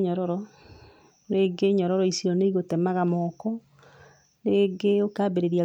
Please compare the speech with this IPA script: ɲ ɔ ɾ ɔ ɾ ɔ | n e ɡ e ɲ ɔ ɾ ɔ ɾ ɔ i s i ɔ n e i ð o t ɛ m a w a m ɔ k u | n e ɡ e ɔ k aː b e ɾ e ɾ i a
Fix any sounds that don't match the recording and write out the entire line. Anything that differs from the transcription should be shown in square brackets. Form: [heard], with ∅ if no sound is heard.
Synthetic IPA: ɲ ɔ ɾ ɔ ɾ ɔ | n e ɡ e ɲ ɔ ɾ ɔ ɾ ɔ i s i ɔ n e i [ɣ] o t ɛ m a [ɣ] a m ɔ k [ɔ] | n e ɡ e [o] k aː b e ɾ e ɾ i a